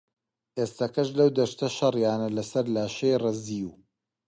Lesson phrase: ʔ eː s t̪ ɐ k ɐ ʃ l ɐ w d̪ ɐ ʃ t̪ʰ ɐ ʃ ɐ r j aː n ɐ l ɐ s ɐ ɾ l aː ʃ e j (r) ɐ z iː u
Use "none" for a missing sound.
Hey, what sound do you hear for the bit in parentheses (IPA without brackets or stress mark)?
r